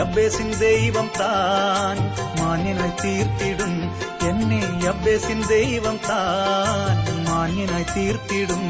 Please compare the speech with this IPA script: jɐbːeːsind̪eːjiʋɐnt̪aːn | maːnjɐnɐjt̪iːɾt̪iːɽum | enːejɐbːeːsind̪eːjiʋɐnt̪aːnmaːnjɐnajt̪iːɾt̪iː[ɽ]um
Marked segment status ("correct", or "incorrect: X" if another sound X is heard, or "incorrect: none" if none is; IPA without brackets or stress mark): correct